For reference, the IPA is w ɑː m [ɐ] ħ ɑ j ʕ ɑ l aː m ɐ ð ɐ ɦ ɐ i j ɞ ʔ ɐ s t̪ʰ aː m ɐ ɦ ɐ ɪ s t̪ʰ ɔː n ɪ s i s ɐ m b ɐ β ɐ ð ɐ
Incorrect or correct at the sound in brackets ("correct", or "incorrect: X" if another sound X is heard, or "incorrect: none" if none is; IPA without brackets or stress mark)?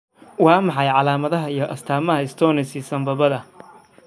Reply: incorrect: ɑ